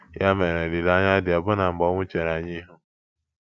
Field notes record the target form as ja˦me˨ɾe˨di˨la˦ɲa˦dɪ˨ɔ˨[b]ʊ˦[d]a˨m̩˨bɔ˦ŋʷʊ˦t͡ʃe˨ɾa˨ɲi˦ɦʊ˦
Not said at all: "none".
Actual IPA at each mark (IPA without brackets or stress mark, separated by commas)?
b, n